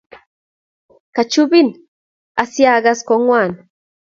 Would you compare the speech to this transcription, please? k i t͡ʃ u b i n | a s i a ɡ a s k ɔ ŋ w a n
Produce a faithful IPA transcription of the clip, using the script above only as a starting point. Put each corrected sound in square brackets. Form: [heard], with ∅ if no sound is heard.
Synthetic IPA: k [a] t͡ʃ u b i n | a s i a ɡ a s k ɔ ŋ w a n

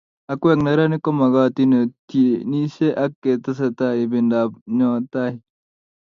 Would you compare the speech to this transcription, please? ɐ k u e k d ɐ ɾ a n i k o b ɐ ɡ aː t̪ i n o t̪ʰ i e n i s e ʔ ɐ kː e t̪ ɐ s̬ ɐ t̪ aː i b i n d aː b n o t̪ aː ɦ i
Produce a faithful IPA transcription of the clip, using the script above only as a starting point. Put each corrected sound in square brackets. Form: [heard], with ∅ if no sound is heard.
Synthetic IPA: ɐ k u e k [n] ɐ ɾ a n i k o [m] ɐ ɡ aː t̪ i n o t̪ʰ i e n i s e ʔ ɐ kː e t̪ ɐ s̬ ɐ t̪ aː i b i n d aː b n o t̪ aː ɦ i

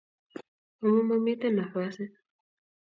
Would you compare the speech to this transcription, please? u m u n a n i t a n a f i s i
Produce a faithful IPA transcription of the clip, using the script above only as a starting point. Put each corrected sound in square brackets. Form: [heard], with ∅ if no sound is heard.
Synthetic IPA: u m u [m] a [m] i t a n a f [a] s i

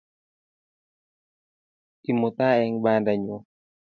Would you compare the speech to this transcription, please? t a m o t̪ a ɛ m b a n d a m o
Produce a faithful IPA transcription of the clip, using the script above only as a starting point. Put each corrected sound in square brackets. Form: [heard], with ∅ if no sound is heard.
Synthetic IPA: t [i] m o t̪ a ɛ [ŋ] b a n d a [ɲ] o

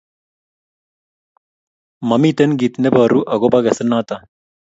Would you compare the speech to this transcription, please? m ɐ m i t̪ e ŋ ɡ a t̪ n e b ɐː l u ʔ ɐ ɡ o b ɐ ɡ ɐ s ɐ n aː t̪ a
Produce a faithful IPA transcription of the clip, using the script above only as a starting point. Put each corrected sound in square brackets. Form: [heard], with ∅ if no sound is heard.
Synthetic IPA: m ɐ m i t̪ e [n] ɡ [i] t̪ n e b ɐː [ɾ] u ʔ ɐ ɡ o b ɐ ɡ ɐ s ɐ n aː t̪ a

